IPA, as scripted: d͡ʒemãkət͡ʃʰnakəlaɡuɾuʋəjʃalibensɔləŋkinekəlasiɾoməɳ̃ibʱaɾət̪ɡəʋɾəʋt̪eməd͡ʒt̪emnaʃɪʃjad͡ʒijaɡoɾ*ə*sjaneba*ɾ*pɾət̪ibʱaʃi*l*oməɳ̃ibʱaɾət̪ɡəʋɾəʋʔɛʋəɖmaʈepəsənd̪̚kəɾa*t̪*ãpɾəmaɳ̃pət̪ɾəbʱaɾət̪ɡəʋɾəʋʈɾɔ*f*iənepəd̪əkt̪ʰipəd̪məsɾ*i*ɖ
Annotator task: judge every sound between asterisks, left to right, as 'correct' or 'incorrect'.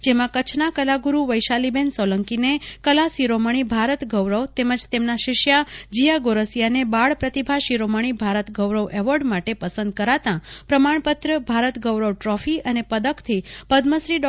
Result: correct, incorrect, incorrect, correct, correct, correct

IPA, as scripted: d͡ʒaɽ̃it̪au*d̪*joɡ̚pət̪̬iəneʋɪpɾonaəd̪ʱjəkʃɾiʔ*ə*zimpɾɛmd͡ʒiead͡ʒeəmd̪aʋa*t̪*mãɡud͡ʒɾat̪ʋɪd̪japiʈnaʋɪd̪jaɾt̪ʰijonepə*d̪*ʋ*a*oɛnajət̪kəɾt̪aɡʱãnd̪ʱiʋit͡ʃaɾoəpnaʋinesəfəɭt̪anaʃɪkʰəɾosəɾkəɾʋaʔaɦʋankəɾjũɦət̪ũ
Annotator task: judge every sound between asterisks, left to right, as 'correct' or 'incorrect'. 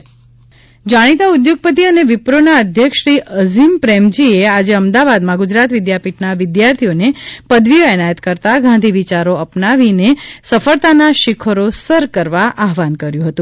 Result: correct, correct, incorrect, correct, incorrect

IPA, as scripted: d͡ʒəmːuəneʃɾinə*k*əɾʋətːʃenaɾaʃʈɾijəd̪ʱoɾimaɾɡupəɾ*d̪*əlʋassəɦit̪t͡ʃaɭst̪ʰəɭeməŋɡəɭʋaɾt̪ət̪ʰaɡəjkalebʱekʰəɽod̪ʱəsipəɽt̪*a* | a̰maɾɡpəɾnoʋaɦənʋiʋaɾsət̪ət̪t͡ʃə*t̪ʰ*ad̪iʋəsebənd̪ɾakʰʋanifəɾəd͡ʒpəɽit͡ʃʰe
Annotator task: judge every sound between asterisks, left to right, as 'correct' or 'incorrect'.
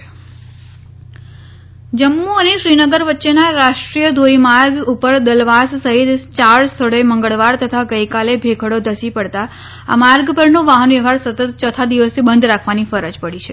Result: incorrect, correct, correct, correct

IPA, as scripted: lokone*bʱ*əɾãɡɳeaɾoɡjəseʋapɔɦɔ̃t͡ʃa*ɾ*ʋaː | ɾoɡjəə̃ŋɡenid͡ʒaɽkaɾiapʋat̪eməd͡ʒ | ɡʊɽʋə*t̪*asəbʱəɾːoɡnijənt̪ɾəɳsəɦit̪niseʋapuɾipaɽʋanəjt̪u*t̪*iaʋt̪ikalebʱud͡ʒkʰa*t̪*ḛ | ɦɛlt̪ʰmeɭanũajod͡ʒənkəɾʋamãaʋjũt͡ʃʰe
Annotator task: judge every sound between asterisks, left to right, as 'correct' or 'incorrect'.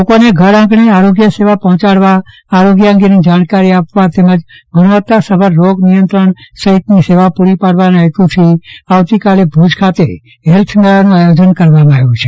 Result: incorrect, incorrect, correct, incorrect, correct

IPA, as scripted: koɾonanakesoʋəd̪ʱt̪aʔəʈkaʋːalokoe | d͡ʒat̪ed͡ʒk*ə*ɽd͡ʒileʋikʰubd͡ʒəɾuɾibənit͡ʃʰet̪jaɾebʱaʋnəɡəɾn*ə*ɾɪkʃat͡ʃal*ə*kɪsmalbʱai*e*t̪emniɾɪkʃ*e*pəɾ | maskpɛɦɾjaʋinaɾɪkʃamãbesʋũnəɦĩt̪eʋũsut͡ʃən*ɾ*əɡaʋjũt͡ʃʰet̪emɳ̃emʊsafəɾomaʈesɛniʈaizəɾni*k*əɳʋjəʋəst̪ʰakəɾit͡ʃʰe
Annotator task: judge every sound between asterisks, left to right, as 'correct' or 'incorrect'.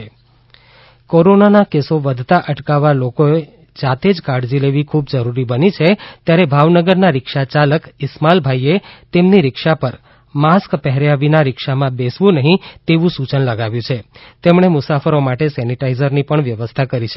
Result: incorrect, incorrect, correct, correct, incorrect, incorrect, incorrect

